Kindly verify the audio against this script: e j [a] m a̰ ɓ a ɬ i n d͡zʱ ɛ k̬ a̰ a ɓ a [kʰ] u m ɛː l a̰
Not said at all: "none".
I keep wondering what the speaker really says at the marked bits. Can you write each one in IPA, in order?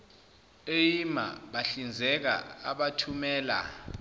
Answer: i, tʰ

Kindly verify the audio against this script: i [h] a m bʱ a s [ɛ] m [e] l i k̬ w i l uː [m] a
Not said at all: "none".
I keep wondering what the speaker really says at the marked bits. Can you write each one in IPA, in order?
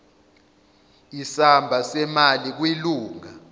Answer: s, ɛ, a, ŋ

